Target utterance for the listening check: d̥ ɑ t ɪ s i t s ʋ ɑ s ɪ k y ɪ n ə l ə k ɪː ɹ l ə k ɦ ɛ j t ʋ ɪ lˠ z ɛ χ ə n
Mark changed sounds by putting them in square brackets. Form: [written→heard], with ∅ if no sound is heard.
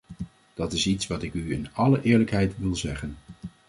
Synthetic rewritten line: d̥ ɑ t ɪ s i t s ʋ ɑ [s→t] ɪ k y ɪ n [ə→ɑ] l ə [k→ʔ] ɪː ɹ l ə k ɦ ɛ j t ʋ ɪ lˠ z ɛ χ ə n